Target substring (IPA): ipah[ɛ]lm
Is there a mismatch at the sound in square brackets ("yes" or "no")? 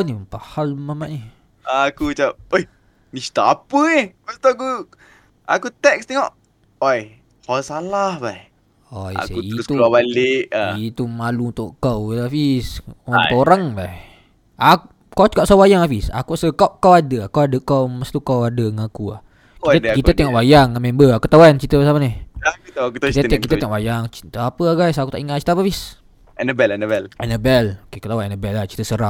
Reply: yes